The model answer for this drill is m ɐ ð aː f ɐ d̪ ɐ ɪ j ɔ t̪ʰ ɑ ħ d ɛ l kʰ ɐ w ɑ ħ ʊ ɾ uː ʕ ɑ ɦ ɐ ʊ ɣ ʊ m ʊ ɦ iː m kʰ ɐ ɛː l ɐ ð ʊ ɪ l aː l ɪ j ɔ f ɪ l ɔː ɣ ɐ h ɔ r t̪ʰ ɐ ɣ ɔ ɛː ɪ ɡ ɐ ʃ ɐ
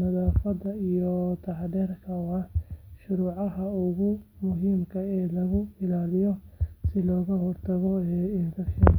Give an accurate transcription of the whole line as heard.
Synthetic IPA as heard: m ɐ ð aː f ɐ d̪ ɐ i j ɔ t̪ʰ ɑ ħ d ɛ r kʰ ɐ w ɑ ʃ ʊ ɾ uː ʕ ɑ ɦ ɐ ʊ ɣ ʊ m ʊ ɦ iː m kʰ ɐ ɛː l ɐ ɣ ʊ ɪ l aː l ɪ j ɔ s ɪ l ɔː ɣ ɐ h ɔ r t̪ʰ ɐ ɣ ɔ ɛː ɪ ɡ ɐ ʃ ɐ